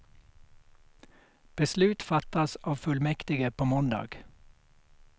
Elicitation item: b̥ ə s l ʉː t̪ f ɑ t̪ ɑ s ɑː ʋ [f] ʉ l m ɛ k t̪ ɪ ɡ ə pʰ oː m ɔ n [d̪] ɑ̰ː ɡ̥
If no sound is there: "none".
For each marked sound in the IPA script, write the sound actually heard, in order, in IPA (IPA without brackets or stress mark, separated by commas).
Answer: f, d̪